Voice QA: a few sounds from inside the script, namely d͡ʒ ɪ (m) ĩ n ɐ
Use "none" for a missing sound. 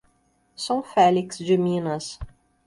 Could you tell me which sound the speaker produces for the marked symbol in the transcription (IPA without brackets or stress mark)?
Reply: m